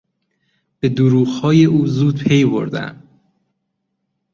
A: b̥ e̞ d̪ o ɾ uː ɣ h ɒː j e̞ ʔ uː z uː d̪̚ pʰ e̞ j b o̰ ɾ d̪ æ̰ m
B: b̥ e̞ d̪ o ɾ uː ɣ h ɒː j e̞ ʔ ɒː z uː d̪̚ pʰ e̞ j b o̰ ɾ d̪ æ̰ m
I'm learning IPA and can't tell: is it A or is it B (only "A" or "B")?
A